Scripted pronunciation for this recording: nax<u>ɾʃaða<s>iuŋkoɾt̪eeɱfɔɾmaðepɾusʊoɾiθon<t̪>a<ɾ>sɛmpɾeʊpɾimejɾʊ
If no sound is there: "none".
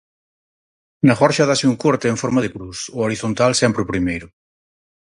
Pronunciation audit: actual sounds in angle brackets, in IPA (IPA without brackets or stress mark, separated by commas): ɔ, s, t̪, l